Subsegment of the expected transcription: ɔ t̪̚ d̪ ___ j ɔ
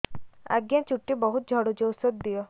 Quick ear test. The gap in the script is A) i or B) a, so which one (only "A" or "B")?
A